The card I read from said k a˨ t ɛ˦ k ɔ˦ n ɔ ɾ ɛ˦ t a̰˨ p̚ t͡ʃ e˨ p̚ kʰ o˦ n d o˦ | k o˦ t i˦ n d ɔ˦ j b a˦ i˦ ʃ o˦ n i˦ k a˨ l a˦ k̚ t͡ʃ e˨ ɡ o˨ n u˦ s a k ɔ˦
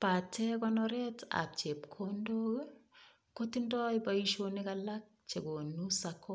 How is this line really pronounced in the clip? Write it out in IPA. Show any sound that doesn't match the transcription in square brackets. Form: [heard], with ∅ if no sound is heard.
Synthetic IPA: [p] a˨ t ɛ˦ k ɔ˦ n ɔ ɾ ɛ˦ t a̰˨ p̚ t͡ʃ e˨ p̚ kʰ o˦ n d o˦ | k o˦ t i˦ n d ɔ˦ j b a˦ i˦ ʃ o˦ n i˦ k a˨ l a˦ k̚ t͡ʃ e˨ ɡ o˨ n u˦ s a k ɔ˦